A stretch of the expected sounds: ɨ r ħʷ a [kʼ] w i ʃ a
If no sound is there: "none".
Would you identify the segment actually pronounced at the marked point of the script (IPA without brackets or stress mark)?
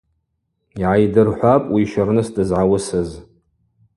pʼ